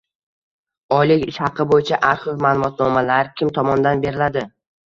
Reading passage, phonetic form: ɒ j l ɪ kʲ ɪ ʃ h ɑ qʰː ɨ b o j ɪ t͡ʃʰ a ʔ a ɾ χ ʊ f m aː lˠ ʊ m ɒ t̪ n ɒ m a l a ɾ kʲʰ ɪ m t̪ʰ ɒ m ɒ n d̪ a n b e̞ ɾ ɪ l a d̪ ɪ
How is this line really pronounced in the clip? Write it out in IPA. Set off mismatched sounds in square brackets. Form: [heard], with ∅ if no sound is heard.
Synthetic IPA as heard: ɒ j l ɪ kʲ ɪ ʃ h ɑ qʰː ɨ b o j ɪ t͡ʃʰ a ʔ a ɾ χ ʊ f m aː lˠ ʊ m ɒ t̪ n ɒ m a l a ɾ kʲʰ ɪ m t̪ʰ ɒ m ɒ n d̪ a n b e̞ ɾ ɪ l a d̪ ɪ